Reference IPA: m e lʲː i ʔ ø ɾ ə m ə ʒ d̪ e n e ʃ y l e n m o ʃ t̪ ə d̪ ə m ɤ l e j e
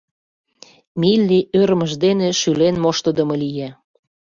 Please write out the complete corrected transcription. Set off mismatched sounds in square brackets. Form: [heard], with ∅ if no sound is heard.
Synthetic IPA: m [i] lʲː i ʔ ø ɾ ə m ə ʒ d̪ e n e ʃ y l e n m o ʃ t̪ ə d̪ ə m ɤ l [i] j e